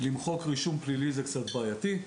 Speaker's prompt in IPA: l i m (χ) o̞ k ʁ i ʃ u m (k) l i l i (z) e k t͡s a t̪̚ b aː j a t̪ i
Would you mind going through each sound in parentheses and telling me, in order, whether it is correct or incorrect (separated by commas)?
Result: correct, incorrect, correct